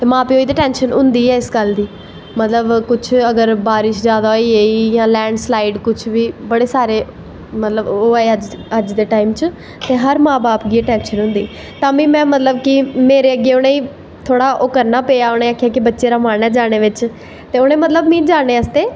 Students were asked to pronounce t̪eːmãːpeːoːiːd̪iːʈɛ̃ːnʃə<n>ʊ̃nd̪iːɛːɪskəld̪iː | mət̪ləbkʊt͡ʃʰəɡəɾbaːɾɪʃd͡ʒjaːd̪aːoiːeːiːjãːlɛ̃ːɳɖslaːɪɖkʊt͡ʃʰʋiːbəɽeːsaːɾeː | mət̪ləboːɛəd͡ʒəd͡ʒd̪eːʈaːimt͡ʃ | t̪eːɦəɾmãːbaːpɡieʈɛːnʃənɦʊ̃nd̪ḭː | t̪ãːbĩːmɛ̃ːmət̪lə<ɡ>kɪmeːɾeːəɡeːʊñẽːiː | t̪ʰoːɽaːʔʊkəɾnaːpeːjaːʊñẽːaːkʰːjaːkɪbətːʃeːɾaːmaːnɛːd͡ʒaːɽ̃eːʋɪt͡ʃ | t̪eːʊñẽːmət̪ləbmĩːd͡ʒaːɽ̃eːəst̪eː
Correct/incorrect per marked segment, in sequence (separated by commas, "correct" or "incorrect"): correct, incorrect